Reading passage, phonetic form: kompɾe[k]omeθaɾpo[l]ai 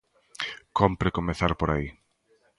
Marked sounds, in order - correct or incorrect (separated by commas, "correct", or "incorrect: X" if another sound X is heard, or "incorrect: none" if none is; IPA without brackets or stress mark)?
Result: correct, incorrect: ɾ